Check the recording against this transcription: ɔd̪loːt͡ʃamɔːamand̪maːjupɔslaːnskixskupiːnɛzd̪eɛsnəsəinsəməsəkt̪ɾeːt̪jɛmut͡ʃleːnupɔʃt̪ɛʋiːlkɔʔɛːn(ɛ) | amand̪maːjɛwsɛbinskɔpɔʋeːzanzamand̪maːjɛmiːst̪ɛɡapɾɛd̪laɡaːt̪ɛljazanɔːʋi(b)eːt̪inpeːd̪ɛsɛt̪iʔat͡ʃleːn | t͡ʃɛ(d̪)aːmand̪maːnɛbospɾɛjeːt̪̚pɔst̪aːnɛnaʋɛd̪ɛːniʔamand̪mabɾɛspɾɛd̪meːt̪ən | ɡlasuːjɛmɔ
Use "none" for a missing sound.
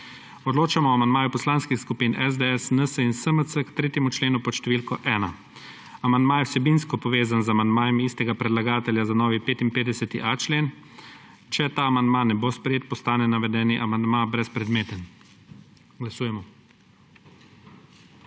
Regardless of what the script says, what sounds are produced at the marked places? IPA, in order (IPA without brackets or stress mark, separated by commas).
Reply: a, p, t̪